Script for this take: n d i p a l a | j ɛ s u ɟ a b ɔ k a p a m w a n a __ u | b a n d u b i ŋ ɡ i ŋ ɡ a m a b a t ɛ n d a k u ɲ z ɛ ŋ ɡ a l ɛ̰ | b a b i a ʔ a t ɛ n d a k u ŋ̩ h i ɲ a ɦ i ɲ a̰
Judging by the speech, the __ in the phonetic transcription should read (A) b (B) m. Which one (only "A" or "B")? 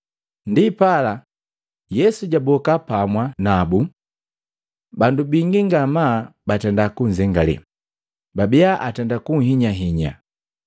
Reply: A